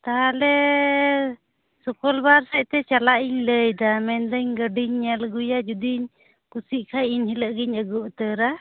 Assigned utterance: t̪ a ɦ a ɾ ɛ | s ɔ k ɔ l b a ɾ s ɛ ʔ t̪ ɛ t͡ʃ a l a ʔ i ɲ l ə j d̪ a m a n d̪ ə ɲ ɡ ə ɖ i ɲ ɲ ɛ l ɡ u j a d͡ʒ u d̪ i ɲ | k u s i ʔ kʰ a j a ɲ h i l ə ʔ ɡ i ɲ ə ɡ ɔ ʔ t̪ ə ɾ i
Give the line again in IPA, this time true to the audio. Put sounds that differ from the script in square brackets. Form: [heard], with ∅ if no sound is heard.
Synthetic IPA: t̪ a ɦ a [l] ɛ | s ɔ k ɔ l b a ɾ s ɛ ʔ t̪ ɛ t͡ʃ a l a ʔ i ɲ l ə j d̪ a m [ɛ] n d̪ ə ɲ ɡ ə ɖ i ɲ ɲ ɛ l ɡ u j a d͡ʒ u d̪ i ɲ | k u s i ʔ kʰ a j [i] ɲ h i l ə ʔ ɡ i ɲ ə ɡ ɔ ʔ t̪ ə ɾ [a]